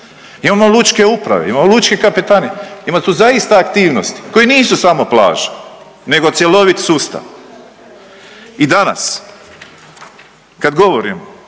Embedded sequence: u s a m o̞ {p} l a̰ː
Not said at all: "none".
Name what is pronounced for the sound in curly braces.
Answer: p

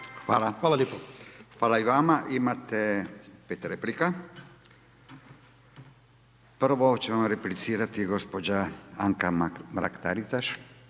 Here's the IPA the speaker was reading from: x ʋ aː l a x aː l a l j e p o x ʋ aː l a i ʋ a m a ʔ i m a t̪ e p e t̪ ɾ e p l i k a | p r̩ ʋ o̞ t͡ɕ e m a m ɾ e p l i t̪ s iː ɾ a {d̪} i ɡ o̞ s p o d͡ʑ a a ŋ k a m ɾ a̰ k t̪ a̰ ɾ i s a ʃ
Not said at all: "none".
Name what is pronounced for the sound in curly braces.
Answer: t̪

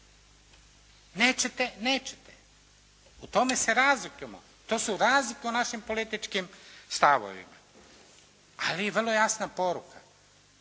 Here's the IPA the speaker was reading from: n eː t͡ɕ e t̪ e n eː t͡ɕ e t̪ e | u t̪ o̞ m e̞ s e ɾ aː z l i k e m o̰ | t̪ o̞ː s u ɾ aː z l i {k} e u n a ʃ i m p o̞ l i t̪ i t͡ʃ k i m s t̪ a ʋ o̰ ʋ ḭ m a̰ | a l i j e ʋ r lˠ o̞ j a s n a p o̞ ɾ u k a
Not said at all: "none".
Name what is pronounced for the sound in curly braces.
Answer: k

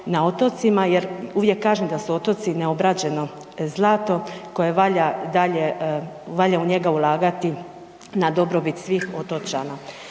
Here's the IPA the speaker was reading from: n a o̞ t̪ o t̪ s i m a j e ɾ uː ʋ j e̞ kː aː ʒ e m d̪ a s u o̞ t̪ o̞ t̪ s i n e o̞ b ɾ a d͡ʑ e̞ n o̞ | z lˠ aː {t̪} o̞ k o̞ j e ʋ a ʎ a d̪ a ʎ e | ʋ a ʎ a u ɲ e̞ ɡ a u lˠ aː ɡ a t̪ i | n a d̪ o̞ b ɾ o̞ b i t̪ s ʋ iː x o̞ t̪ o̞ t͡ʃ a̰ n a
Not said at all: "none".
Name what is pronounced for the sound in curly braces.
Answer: t̪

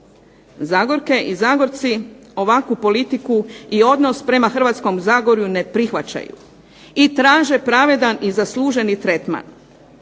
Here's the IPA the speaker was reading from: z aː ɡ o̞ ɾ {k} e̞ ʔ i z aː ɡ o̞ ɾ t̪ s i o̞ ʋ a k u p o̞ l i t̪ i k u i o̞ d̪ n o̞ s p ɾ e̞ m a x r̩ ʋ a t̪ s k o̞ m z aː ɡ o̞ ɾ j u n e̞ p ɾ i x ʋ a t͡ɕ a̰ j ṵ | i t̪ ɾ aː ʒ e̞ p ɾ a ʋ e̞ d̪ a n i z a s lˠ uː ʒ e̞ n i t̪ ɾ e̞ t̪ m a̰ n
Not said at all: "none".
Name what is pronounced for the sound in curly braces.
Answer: k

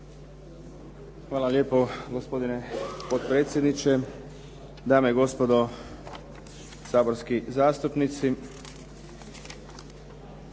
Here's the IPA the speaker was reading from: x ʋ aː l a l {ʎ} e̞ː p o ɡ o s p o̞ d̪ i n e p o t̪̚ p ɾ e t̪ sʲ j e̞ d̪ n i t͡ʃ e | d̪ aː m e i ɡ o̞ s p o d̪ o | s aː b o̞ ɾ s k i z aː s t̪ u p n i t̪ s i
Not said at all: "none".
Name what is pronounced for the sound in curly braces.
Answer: j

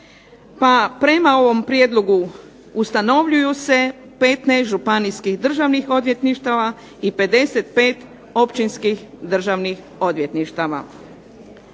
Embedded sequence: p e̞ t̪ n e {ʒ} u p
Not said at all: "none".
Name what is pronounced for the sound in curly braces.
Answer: ʒ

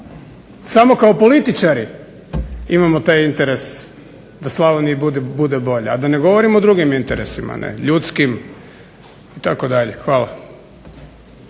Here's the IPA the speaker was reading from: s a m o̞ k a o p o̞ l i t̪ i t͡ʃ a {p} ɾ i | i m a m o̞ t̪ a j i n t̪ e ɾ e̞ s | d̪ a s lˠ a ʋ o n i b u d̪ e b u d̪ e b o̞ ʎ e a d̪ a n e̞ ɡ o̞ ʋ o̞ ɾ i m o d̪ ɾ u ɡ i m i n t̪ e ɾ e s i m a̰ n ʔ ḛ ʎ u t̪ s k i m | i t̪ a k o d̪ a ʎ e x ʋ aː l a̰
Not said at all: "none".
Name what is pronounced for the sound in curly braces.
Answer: none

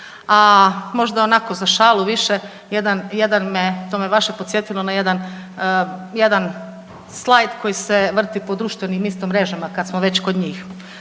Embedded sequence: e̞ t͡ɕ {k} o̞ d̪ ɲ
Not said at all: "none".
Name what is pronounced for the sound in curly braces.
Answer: k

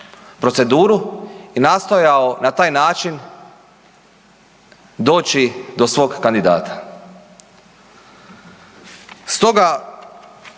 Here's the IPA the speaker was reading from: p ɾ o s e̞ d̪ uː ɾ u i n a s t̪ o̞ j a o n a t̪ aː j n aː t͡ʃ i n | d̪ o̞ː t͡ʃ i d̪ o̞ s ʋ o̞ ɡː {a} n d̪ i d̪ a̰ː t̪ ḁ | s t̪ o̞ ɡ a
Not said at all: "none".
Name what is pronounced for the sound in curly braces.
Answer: a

